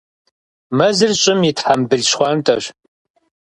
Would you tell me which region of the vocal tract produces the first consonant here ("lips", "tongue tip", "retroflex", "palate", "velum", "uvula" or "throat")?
lips